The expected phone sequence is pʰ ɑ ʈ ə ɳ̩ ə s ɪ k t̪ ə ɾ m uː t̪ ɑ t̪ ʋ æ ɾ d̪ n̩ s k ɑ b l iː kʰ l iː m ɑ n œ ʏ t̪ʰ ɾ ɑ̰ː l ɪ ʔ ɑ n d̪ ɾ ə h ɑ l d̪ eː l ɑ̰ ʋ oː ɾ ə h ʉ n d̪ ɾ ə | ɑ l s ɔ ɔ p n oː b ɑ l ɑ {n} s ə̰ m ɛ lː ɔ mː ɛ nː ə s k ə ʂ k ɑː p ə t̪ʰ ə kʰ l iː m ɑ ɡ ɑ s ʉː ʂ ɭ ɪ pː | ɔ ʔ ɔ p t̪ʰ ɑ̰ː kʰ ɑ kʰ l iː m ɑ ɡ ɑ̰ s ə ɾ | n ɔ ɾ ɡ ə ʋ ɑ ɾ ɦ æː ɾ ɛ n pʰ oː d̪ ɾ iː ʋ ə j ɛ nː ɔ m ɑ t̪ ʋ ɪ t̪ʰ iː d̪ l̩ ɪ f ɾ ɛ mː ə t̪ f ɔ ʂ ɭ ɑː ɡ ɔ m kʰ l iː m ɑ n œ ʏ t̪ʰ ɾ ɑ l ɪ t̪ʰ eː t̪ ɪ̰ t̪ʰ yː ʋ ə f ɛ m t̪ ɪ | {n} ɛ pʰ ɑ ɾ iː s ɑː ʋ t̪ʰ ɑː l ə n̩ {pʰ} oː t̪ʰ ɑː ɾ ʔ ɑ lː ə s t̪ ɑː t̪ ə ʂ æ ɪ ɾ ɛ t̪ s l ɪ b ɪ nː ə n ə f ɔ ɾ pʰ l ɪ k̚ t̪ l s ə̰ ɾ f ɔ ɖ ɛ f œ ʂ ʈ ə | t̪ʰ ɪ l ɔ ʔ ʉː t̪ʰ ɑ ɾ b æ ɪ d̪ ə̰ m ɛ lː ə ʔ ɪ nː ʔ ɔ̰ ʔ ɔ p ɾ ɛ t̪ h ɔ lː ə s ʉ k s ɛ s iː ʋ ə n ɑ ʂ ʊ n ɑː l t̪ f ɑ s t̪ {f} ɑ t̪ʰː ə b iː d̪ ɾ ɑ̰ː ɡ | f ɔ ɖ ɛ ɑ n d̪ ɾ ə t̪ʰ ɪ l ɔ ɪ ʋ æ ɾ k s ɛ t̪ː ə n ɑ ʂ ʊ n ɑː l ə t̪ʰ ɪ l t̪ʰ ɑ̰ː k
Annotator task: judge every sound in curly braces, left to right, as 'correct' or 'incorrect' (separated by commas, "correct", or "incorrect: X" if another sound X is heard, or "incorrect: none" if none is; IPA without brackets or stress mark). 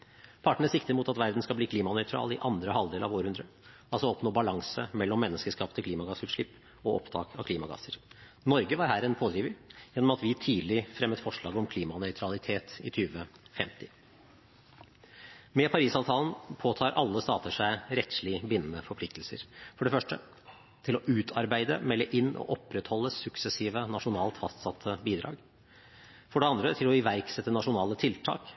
incorrect: ŋ, incorrect: m, correct, incorrect: s